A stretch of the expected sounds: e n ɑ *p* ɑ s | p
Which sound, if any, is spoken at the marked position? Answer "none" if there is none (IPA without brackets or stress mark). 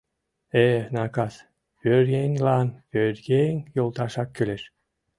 k